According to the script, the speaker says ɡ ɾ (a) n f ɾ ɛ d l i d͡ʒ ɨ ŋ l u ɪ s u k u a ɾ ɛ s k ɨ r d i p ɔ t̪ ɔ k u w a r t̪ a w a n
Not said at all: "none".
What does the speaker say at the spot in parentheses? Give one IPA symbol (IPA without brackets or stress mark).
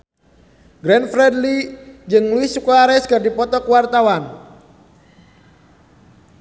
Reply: ɛ